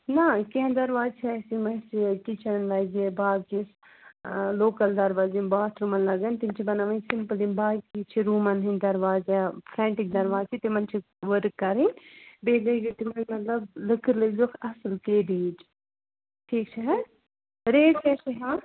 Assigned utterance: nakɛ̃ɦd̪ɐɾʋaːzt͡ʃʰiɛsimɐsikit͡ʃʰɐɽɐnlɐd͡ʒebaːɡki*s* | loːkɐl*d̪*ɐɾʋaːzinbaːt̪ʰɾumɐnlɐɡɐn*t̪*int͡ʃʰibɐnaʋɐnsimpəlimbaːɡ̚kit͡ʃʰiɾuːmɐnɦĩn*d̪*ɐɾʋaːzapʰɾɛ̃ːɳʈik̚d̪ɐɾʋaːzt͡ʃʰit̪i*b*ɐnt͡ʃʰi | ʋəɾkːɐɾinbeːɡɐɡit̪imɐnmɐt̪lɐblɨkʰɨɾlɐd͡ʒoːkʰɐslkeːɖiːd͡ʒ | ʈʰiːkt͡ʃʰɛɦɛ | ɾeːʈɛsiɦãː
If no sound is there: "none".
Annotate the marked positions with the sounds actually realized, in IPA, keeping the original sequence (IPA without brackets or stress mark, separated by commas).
s, d̪, t̪, d̪, m